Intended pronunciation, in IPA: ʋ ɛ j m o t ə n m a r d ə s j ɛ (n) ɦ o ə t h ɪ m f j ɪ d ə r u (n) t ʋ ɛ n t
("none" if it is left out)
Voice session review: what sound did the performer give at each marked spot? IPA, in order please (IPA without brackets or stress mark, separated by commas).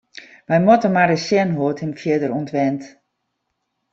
n, n